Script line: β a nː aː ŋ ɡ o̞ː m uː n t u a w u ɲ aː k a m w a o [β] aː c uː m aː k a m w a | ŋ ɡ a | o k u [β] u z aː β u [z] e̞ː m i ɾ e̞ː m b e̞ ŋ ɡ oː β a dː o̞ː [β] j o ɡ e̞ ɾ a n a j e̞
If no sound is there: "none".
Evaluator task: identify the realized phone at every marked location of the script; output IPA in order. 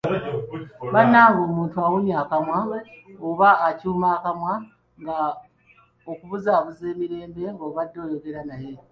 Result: β, β, z, none

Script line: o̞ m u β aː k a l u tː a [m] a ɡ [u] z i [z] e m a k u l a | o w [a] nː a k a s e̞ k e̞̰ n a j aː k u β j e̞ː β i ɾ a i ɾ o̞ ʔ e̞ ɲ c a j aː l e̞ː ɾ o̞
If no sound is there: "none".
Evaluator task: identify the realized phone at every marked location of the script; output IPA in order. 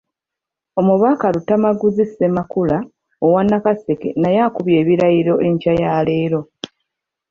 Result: m, u, s, a

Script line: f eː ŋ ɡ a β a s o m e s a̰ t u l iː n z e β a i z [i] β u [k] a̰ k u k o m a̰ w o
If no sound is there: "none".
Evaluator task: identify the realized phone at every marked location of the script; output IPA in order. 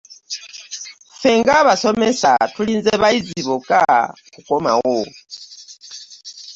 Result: i, k

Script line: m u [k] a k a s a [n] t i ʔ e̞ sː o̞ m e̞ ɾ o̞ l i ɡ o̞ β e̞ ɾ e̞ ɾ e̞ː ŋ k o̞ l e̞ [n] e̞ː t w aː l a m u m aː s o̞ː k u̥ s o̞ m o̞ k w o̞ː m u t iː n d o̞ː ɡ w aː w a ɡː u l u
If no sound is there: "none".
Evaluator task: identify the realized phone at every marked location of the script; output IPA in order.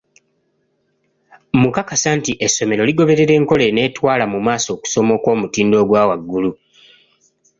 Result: k, n, n

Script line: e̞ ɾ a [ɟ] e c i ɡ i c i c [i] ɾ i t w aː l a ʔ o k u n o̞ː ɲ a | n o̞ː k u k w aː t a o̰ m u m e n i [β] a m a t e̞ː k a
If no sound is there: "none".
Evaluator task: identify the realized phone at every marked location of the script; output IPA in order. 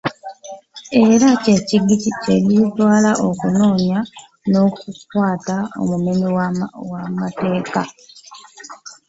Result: c, e, w

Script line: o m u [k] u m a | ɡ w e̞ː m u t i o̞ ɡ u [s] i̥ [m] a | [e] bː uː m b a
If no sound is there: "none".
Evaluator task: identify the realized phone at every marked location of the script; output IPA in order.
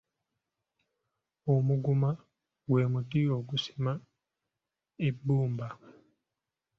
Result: ɡ, s, m, e

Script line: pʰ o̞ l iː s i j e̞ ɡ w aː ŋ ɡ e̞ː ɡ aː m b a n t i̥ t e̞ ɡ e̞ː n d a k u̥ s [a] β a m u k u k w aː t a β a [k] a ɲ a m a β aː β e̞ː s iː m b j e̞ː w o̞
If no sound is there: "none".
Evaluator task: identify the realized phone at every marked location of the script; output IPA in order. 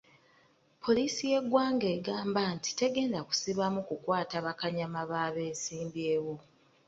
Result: i, k

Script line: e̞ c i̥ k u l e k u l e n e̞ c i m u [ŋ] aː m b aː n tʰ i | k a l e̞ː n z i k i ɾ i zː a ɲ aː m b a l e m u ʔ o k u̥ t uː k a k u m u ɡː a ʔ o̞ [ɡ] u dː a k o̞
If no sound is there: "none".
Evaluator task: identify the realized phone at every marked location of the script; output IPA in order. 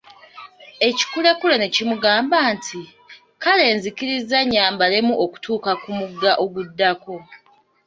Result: ɡ, ɡ

